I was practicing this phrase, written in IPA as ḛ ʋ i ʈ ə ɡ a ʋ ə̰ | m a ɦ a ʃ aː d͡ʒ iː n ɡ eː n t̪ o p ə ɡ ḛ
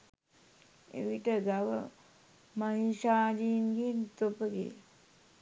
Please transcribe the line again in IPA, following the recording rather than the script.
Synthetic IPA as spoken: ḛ ʋ i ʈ ə ɡ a ʋ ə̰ | m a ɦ i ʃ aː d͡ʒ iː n ɡ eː n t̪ o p ə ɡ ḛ